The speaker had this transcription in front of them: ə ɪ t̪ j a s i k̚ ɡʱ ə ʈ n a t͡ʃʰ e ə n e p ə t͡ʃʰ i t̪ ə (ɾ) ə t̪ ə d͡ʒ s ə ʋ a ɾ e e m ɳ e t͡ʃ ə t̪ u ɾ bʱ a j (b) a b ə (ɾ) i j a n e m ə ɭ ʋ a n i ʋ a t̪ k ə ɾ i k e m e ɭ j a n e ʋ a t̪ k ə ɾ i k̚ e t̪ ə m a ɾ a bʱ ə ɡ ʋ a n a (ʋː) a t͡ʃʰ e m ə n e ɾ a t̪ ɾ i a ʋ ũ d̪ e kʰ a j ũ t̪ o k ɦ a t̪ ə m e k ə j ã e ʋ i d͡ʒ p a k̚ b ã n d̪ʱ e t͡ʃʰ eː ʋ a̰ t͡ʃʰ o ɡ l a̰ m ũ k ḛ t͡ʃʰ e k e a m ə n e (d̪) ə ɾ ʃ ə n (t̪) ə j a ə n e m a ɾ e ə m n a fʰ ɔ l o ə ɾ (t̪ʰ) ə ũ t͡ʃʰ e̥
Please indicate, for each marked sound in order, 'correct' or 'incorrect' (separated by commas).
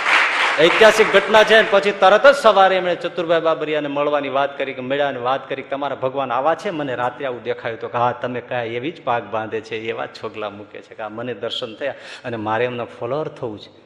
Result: correct, correct, correct, incorrect, correct, incorrect, correct